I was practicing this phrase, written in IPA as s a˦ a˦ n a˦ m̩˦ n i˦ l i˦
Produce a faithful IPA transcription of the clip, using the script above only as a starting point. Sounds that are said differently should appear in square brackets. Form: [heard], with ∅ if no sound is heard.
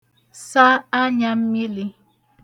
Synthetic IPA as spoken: s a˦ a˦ [ɲ] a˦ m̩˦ [m] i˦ l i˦